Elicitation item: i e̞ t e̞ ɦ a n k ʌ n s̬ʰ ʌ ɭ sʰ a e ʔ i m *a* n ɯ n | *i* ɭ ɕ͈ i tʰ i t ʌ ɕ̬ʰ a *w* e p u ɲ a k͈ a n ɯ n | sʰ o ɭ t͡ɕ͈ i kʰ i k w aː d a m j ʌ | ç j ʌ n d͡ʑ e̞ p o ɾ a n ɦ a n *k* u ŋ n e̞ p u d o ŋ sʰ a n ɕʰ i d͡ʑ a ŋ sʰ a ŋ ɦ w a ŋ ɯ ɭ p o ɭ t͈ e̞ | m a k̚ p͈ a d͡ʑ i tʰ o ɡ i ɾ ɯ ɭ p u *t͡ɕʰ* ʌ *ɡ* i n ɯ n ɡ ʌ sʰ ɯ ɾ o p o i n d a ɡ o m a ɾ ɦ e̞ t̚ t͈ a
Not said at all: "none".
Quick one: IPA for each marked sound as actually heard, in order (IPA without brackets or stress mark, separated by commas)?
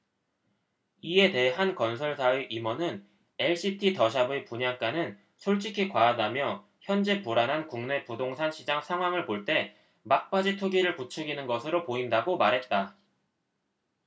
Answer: ʌ, e, b, k, t͡ɕʰ, ɡ